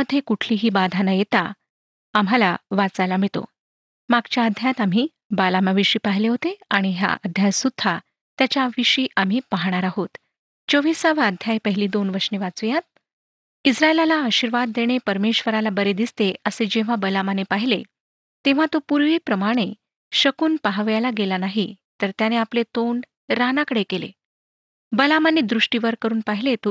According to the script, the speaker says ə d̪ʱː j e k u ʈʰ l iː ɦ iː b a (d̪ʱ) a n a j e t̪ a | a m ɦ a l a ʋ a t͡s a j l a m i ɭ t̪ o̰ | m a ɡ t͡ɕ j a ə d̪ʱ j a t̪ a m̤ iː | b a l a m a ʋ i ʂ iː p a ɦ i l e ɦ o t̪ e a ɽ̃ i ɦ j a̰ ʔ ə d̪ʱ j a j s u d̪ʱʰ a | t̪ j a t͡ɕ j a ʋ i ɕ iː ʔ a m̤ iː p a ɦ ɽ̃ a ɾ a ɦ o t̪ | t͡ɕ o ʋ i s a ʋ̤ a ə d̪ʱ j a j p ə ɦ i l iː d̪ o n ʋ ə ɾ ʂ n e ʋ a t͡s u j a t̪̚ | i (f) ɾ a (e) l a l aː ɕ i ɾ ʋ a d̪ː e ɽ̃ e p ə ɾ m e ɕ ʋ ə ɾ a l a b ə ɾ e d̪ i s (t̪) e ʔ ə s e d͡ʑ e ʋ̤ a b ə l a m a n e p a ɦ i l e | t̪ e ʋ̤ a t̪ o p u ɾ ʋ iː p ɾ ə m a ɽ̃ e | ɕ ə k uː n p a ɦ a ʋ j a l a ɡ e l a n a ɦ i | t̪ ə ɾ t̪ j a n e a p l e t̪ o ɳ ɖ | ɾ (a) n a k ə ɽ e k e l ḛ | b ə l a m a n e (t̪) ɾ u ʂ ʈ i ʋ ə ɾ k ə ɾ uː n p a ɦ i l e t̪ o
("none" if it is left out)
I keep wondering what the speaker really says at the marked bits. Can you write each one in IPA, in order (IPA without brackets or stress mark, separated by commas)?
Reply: d̪ʱ, s, e, t̪, a, d̪